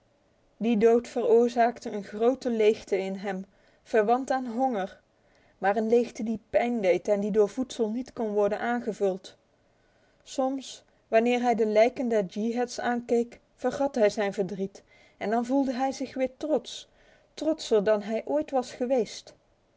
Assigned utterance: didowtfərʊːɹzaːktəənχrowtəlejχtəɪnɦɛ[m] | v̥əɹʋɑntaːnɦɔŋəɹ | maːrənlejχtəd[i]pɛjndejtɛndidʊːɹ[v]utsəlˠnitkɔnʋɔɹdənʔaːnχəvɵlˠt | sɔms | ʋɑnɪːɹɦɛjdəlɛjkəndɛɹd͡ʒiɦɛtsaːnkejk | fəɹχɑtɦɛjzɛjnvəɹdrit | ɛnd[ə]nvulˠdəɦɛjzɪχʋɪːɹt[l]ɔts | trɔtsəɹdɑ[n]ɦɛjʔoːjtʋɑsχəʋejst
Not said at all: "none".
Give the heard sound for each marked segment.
m, i, v, ɑ, r, n

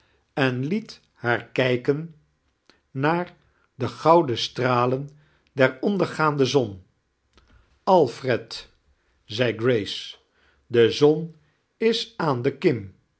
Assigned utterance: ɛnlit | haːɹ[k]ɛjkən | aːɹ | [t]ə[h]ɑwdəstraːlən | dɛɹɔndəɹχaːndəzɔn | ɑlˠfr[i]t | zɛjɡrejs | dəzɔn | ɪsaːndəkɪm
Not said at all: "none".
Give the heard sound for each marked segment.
k, d, χ, ɛ

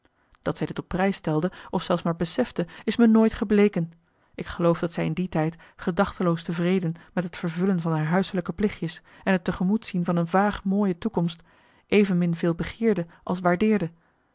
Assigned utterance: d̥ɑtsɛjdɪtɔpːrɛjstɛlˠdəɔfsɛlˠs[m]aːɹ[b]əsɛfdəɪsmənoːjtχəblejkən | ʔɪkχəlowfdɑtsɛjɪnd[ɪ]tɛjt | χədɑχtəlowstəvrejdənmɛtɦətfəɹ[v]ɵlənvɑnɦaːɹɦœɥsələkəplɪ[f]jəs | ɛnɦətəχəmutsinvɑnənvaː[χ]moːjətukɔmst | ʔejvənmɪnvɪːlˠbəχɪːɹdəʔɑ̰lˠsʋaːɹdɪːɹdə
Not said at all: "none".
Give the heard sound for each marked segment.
m, b, i, v, χ, χ

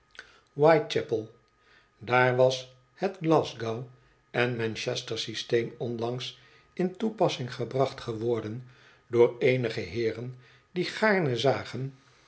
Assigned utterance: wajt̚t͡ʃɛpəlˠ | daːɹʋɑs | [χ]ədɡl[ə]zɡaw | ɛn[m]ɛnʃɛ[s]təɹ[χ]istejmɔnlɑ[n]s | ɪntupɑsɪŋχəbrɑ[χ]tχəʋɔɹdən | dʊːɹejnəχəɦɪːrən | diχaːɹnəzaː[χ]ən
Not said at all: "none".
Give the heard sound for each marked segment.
h, ɑ, m, s, s, ŋ, χ, χ

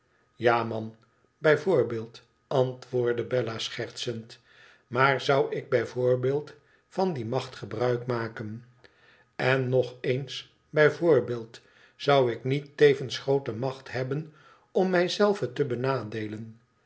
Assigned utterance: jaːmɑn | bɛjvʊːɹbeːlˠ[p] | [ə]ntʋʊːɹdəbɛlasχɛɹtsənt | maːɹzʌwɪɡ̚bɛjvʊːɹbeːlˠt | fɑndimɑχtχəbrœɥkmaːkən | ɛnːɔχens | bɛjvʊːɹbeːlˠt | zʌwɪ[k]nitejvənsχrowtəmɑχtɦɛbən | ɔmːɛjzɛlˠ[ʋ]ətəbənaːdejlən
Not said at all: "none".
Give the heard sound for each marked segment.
t, ɑ, k, v

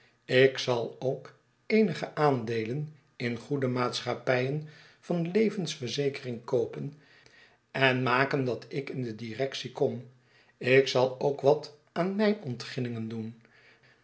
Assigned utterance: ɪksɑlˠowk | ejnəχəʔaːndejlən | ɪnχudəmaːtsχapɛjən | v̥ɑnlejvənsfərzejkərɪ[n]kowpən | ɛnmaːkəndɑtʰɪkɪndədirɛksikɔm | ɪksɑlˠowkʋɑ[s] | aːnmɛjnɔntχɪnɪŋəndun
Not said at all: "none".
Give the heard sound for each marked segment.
ŋ, t

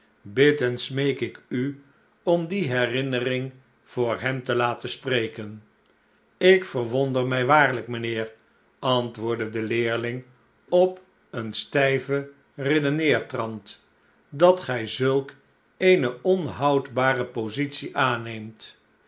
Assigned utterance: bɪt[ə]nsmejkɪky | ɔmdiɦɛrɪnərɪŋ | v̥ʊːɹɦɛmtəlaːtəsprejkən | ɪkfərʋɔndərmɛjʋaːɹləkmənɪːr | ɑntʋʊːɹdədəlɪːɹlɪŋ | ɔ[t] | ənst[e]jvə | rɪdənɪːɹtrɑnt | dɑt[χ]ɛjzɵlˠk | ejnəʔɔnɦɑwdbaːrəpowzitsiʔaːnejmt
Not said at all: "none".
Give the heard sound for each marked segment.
ə, p, ɛ, χ

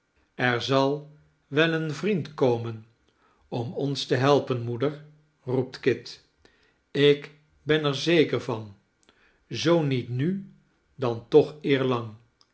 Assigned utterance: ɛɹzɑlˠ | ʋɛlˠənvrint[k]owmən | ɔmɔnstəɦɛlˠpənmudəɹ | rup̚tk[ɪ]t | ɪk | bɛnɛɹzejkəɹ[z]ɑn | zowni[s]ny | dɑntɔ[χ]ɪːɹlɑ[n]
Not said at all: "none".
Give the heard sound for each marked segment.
k, ɪ, v, t, χ, ŋ

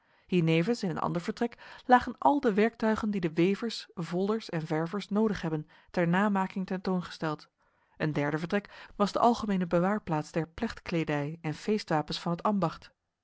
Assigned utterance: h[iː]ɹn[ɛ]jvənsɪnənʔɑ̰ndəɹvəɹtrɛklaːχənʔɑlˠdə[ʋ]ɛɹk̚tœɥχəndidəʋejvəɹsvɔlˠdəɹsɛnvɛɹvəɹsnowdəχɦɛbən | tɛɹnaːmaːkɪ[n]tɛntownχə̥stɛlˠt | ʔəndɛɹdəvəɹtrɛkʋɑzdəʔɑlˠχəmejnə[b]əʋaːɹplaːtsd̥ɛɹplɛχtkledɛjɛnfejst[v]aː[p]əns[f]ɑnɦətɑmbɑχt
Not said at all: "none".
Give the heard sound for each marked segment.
iː, e, ʋ, ŋ, b, ʋ, p, f

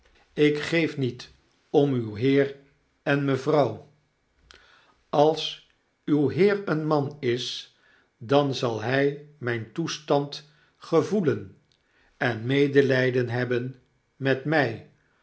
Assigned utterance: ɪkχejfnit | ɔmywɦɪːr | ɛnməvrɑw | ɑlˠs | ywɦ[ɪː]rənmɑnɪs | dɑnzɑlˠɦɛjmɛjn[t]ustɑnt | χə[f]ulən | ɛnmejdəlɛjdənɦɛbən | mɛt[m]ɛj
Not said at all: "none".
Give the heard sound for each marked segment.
ɪː, t, v, m

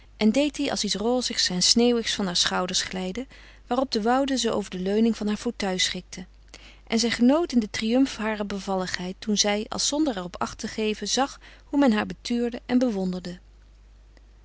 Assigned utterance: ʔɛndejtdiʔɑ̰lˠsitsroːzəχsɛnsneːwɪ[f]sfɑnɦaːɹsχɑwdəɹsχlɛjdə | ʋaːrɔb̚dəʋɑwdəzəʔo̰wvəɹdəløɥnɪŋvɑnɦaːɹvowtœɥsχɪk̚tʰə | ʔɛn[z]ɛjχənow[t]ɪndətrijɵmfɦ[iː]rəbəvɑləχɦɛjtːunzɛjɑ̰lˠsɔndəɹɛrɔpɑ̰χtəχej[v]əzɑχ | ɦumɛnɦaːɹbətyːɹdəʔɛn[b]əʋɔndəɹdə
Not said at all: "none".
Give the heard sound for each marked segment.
χ, z, t, aː, v, b

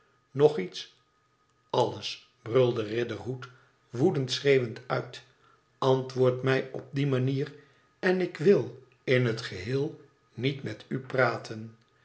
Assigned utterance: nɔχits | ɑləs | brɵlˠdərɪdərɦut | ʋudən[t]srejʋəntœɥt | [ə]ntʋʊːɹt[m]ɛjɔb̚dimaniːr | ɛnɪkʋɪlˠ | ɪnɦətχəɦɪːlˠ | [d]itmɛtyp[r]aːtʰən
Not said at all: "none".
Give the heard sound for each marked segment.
t, ɑ, m, n, r

